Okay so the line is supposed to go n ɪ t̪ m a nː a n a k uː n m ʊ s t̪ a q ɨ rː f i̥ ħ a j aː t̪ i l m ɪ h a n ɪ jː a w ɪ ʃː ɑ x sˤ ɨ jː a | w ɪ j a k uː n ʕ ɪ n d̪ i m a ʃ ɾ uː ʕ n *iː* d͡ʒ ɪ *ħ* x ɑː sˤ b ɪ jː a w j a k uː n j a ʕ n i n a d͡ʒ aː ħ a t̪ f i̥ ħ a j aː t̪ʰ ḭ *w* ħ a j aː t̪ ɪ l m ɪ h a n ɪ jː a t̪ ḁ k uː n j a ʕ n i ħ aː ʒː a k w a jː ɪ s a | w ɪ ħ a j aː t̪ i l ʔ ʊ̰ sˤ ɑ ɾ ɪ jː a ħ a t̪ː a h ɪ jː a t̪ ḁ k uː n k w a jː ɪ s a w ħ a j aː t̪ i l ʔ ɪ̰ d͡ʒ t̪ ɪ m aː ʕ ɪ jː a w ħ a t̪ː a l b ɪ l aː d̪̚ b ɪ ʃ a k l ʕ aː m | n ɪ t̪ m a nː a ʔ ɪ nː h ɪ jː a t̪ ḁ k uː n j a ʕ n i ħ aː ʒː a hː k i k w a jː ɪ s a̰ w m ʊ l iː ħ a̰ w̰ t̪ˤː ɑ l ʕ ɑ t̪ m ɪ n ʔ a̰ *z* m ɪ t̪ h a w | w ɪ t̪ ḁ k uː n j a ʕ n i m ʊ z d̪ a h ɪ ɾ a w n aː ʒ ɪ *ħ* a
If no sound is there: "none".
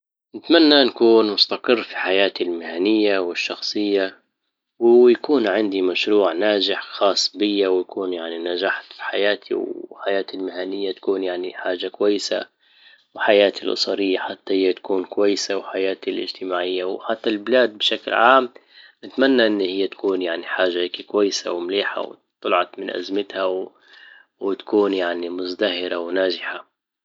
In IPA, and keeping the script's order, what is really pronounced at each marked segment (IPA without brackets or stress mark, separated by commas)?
aː, ħ, w, z, ħ